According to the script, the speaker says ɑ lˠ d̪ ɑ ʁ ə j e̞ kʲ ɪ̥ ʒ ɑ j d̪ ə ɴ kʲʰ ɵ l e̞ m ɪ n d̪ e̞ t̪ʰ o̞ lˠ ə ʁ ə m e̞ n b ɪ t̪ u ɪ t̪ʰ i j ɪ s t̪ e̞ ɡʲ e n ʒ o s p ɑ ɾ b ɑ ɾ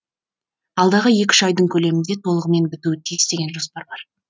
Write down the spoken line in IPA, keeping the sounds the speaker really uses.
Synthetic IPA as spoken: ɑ lˠ d̪ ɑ ʁ ə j e̞ kʲ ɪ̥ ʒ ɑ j d̪ ə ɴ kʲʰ ɵ l e̞ m ɪ n d̪ e̞ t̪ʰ o̞ lˠ ə ʁ ə m e̞ n b ɪ t̪ u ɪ t̪ʰ i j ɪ s t̪ e̞ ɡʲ e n ʒ o s p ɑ ɾ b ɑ ɾ